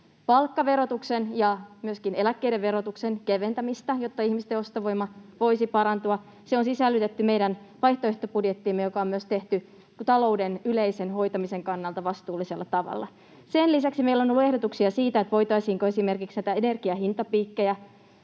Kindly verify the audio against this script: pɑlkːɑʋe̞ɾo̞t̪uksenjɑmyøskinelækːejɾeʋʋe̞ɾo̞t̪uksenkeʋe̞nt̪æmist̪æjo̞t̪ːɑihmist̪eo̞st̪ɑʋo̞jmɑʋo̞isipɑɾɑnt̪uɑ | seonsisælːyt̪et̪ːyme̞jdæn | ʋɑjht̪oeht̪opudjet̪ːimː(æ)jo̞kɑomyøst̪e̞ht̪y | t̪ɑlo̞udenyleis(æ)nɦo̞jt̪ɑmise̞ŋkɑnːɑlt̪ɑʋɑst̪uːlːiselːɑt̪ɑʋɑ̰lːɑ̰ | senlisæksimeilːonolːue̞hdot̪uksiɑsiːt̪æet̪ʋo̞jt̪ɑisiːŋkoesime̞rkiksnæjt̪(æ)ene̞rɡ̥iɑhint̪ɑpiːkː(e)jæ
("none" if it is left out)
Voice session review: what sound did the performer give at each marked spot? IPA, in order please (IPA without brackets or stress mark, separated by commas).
e, e, æ, e